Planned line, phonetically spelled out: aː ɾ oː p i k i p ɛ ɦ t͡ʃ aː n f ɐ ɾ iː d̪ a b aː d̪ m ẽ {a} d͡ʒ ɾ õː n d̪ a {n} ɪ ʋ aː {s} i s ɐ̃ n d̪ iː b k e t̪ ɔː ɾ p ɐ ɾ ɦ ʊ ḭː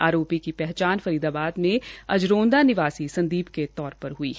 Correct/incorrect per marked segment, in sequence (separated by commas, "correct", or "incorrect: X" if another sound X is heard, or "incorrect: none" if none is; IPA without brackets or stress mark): incorrect: ɐ, correct, correct